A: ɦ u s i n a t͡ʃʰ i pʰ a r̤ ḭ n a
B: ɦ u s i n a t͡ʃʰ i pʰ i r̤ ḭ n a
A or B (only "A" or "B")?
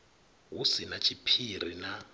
B